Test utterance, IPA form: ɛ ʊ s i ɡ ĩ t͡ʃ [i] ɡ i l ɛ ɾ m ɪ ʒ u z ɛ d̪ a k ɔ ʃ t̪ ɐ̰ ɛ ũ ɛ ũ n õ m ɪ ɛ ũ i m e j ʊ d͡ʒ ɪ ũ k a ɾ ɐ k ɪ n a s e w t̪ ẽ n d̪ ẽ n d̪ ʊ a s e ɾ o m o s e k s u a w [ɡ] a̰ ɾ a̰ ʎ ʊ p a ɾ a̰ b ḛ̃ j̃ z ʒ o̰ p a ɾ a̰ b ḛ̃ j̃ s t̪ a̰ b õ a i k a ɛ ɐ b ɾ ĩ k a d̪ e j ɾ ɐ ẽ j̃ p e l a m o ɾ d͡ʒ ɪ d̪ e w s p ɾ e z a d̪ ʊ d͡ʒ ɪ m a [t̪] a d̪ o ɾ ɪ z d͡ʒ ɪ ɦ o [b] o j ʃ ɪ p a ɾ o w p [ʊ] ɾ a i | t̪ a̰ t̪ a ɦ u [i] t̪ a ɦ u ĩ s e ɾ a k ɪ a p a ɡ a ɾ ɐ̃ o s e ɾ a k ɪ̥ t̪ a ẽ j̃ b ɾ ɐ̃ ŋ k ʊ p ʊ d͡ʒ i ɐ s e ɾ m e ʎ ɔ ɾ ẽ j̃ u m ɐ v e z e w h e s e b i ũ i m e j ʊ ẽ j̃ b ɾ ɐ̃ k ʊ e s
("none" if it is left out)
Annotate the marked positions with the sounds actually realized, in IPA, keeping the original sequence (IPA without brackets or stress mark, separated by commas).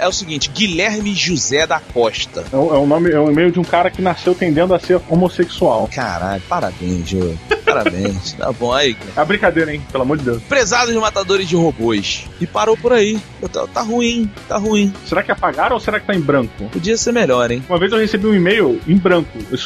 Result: ɪ, k, t̪, b, ʊ, ĩ